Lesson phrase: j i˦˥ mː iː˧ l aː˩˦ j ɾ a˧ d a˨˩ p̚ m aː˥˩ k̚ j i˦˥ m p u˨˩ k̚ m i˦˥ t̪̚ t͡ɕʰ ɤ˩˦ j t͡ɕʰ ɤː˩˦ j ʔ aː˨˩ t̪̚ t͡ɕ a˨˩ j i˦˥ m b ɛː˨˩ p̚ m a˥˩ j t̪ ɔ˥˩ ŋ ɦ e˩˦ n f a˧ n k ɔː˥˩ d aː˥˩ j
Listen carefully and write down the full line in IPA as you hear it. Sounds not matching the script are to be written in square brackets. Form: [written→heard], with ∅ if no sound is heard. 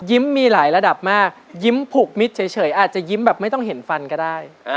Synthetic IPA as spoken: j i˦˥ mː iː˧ l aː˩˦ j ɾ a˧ d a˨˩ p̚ m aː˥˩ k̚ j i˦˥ m [p→pʰ] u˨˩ k̚ m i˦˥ t̪̚ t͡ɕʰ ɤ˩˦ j t͡ɕʰ ɤː˩˦ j ʔ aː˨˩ t̪̚ t͡ɕ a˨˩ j i˦˥ m b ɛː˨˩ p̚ m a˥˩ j t̪ ɔ˥˩ ŋ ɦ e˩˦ n f a˧ n k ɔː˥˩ d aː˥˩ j